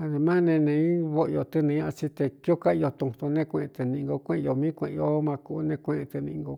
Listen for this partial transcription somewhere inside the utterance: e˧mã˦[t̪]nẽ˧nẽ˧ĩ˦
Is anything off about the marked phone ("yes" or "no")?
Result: yes